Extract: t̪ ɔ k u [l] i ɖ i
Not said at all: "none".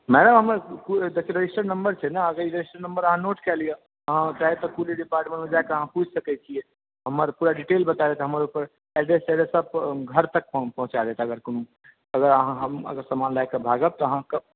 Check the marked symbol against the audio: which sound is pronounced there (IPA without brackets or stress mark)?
l